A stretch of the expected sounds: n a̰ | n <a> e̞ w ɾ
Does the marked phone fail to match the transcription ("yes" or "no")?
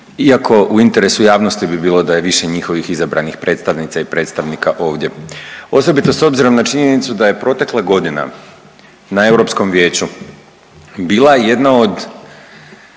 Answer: no